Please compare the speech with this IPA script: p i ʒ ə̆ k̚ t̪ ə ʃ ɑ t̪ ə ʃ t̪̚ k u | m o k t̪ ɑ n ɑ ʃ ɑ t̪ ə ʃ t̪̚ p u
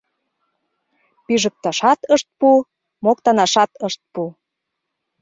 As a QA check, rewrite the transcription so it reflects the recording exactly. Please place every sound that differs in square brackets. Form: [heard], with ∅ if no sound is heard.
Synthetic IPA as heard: p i ʒ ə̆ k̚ t̪ [ɑ] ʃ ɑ t̪ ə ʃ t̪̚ [p] u | m o k t̪ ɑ n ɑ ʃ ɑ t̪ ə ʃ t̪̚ p u